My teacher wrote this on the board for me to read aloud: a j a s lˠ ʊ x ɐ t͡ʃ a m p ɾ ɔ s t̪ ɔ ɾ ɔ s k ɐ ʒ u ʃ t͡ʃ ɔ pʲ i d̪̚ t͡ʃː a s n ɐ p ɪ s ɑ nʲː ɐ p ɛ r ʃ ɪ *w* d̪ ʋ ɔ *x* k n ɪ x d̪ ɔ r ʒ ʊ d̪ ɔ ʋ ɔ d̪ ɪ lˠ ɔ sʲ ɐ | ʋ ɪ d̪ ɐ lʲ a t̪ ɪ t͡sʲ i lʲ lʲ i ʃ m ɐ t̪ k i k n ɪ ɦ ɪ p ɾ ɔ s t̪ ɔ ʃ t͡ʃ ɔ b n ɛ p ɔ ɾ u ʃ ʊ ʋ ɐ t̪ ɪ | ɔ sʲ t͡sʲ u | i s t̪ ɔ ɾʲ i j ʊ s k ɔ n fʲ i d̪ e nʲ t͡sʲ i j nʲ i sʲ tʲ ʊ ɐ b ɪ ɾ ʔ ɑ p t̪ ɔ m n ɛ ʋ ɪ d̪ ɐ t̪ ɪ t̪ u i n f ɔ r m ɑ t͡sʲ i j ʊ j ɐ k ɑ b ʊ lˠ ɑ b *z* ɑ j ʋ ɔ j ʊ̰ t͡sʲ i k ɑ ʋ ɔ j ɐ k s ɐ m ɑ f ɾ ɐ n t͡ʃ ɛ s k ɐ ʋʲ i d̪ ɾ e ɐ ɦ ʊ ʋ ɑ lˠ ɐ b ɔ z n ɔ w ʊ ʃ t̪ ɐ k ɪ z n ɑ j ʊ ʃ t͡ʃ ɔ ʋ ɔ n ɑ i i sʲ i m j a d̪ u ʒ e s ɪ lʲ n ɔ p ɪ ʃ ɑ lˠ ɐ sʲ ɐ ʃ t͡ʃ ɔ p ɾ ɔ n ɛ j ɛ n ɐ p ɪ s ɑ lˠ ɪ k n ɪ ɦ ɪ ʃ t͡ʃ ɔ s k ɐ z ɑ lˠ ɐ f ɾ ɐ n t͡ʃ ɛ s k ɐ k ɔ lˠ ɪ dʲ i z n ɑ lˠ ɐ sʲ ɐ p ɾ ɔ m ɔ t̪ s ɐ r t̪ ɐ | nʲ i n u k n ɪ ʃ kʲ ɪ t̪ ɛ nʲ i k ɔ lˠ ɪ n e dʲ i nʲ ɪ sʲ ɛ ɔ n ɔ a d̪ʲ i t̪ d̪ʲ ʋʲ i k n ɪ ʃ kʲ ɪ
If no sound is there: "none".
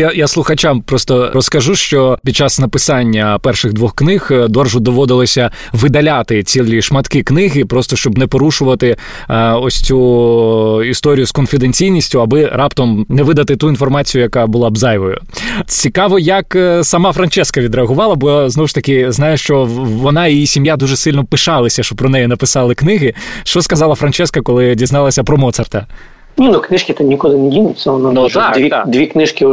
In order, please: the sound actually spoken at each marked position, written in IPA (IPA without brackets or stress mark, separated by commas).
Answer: ɣ, x, z